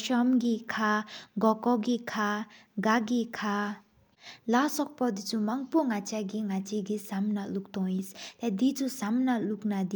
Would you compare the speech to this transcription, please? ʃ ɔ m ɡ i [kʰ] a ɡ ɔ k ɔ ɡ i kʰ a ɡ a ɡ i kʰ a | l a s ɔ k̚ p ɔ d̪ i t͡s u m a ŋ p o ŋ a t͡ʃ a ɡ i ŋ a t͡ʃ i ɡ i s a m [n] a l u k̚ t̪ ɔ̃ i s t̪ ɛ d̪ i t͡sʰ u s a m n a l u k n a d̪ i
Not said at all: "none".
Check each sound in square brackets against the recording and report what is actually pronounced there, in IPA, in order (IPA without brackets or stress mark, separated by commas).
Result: kʰ, n